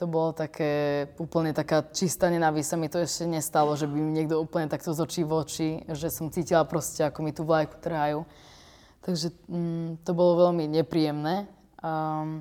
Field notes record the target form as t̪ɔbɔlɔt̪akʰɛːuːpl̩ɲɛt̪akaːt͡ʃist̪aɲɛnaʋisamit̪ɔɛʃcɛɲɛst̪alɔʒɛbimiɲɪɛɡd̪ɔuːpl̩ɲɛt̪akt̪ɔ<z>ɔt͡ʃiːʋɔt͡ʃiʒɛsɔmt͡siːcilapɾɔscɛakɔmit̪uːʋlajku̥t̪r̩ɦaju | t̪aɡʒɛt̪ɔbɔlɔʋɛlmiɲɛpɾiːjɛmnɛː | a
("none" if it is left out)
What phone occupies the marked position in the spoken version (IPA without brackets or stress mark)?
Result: z